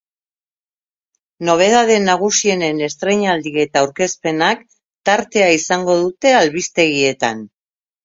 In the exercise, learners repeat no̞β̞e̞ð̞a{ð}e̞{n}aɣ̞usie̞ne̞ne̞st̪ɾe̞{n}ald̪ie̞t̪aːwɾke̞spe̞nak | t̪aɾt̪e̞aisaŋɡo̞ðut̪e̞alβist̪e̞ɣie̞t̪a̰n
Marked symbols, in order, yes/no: yes, yes, no

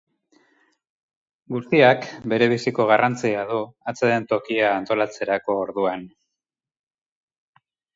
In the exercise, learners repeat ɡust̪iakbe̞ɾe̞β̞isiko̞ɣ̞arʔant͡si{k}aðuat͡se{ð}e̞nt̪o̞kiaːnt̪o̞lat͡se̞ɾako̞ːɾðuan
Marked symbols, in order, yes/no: no, yes

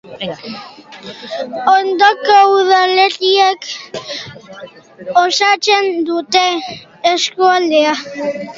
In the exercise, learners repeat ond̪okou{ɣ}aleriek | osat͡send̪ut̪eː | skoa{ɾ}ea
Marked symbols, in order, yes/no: no, no

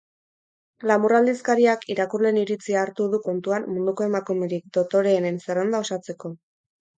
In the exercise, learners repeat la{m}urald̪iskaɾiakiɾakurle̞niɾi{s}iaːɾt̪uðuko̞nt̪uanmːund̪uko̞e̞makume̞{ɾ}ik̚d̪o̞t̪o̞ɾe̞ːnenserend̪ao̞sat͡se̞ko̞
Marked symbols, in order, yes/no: yes, no, yes

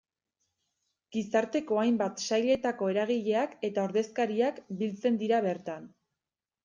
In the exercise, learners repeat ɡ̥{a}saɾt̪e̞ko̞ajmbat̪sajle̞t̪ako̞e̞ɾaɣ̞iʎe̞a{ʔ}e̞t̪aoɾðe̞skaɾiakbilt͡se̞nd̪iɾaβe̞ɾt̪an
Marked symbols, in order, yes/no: no, no

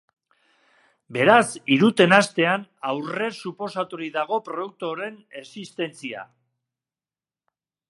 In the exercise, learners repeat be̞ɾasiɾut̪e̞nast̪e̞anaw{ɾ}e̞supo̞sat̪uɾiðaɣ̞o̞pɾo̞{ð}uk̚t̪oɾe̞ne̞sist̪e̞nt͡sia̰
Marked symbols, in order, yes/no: no, yes

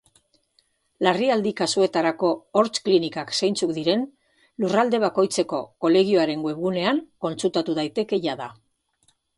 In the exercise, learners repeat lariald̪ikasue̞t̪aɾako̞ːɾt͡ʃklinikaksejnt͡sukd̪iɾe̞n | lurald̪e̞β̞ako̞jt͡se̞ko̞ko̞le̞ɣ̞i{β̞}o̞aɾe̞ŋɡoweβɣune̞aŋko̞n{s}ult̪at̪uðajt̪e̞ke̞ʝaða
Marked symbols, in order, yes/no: no, no

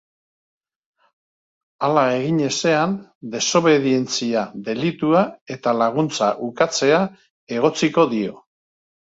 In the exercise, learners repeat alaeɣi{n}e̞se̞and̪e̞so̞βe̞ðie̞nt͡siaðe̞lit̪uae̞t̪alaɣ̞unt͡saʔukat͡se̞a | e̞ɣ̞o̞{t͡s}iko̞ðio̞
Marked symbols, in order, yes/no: no, yes

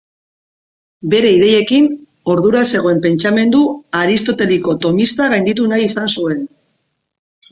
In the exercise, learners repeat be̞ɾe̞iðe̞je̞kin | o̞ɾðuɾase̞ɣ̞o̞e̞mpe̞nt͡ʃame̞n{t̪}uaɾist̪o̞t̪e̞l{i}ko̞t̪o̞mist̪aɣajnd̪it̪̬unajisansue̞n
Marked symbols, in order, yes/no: no, yes

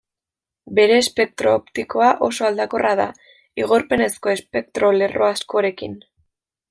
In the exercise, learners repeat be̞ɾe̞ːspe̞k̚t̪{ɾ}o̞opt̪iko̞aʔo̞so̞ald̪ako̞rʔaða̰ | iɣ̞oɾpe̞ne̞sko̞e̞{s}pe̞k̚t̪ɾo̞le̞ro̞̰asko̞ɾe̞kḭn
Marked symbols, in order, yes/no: yes, yes

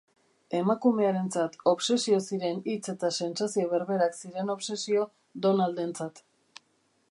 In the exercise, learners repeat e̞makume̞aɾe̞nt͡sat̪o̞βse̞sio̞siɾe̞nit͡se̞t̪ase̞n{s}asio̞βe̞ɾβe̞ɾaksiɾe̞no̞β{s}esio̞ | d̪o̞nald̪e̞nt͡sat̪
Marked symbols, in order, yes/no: yes, yes

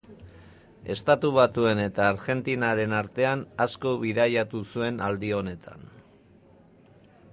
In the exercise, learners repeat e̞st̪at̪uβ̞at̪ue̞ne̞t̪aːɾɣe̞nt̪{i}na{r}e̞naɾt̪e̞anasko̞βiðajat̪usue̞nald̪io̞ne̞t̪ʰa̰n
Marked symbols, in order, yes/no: yes, no

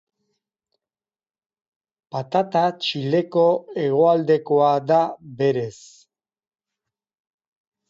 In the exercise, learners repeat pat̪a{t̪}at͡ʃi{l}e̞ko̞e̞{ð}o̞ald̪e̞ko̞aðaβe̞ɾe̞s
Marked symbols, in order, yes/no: yes, yes, no

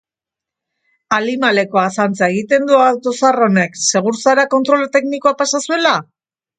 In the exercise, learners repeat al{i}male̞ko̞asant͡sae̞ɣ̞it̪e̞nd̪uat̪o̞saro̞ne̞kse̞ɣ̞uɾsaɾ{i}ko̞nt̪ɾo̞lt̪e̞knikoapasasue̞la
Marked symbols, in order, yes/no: yes, no

